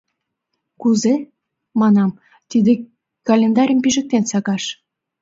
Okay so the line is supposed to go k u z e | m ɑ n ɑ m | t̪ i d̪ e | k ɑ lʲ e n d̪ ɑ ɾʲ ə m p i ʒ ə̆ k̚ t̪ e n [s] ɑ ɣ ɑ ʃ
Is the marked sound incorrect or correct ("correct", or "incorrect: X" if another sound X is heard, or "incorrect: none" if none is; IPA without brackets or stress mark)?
correct